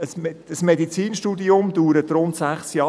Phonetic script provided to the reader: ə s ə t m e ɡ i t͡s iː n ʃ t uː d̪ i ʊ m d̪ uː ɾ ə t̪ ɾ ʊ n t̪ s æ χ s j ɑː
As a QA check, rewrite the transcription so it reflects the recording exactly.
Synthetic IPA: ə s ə s m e d i t͡s iː n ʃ t uː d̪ i ʊ m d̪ uː ɾ ə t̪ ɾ ʊ n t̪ s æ χ s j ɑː